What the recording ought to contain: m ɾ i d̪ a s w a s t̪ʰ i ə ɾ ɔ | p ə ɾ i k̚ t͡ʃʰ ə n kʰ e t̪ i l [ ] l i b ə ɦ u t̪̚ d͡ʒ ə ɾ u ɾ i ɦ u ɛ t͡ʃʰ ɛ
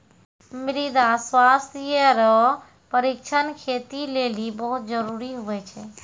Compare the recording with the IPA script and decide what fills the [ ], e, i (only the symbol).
e